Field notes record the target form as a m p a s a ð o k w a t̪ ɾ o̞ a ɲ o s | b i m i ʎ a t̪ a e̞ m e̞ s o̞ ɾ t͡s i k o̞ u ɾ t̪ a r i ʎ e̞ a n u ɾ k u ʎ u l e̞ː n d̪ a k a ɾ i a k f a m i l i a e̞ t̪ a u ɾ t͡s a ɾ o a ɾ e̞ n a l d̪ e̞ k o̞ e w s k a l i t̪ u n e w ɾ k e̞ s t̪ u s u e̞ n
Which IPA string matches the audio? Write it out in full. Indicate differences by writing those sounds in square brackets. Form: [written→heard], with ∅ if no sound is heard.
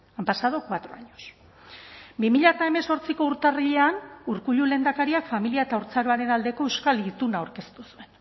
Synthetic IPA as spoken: a m p a s a ð o k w a t̪ ɾ o̞ a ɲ o s | b i m i ʎ a t̪ a e̞ m e̞ s o̞ ɾ t͡s i k o̞ u ɾ t̪ a r i ʎ e̞ a n u ɾ k u ʎ u l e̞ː n d̪ a k a ɾ i a k f a m i l i a e̞ t̪ a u ɾ t͡s a ɾ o a ɾ e̞ n a l d̪ e̞ k o̞ e w s k a l i t̪ u n [e→a] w ɾ k e̞ s t̪ u s u e̞ n